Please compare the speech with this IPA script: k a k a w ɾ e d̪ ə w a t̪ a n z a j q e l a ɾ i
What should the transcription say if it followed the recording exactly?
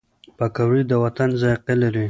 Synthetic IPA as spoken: p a k a w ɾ i d̪ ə w a t̪ a n z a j q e l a ɾ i